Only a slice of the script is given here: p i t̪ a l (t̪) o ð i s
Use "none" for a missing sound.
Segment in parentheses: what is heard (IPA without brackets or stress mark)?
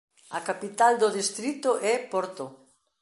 d̪